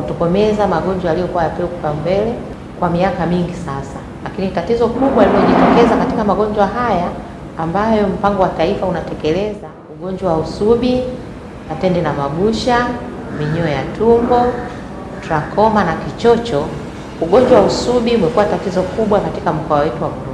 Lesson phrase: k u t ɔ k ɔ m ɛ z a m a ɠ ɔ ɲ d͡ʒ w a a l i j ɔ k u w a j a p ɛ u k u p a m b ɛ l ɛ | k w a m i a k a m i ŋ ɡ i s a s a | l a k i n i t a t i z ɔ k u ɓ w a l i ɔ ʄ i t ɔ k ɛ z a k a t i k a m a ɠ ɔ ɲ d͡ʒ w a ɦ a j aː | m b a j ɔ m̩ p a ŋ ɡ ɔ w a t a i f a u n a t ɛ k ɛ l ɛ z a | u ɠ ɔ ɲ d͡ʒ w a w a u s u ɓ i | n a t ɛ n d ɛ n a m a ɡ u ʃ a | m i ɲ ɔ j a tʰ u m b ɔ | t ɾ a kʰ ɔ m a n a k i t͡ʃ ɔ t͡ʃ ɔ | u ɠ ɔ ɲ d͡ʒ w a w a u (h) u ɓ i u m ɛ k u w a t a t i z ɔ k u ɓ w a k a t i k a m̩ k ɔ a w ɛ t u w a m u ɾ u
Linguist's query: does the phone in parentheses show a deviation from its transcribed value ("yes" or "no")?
yes